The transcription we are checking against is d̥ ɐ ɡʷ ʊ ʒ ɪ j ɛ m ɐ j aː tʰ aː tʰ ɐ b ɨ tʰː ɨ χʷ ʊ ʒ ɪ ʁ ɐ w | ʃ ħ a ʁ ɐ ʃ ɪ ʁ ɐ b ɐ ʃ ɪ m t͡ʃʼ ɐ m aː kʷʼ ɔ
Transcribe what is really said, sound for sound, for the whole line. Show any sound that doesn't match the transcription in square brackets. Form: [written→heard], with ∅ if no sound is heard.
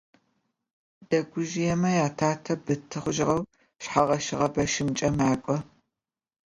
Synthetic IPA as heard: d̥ ɐ ɡʷ ʊ ʒ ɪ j ɛ m ɐ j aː tʰ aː tʰ ɐ b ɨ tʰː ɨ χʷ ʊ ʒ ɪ ʁ ɐ w | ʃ ħ a ʁ ɐ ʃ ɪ ʁ ɐ b ɐ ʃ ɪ m t͡ʃʼ ɐ m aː kʷʼ ɔ

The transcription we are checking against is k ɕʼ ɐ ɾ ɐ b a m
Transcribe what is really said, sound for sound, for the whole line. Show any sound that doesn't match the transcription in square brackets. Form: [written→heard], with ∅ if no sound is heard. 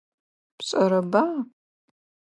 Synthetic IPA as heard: [k→p] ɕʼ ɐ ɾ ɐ b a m

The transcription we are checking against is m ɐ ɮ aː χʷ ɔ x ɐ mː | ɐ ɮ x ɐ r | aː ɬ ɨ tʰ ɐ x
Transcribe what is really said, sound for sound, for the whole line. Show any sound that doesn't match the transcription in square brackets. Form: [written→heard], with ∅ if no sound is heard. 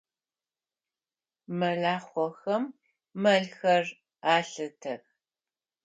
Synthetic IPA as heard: m ɐ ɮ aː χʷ ɔ x ɐ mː | ɐ ɮ x ɐ r | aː ɬ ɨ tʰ ɐ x

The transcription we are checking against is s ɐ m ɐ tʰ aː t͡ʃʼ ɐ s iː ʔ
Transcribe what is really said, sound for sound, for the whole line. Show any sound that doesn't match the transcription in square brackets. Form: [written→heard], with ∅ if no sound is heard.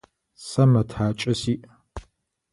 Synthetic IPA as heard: s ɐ m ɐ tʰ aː t͡ʃʼ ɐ s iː ʔ

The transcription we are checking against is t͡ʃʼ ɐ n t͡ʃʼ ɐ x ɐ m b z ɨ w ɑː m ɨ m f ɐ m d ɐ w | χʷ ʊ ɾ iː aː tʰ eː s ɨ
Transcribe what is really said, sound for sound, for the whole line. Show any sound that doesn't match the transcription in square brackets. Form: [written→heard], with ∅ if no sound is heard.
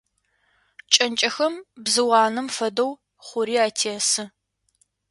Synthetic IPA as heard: t͡ʃʼ ɐ n t͡ʃʼ ɐ x ɐ m b z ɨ w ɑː [m→n] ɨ m f ɐ [m→∅] d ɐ w | χʷ ʊ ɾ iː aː tʰ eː s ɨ

